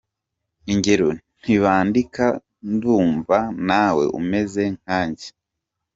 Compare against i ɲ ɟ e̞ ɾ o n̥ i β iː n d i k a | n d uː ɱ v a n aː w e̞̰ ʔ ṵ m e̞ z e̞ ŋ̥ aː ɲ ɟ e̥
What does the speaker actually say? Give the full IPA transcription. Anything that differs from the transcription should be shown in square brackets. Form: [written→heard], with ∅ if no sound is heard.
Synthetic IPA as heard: i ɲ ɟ e̞ ɾ o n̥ i β [iː→aː] n d i k a | n d uː ɱ v a n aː w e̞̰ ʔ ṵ m e̞ z e̞ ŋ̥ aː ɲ ɟ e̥